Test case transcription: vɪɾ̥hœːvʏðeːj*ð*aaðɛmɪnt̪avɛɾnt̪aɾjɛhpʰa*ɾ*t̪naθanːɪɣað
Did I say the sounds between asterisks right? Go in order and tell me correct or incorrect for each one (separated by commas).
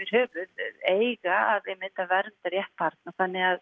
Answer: incorrect, correct